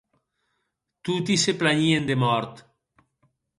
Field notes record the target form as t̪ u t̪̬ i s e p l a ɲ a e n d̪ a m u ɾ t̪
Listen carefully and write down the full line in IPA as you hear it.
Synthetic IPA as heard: t̪ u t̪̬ i s e p l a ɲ i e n d̪ e m ɔ ɾ t̪